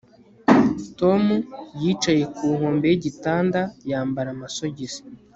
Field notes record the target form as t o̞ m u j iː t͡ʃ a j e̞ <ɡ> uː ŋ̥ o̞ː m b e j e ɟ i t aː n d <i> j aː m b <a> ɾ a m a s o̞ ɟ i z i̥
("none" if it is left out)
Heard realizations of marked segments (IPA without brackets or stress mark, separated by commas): k, a, a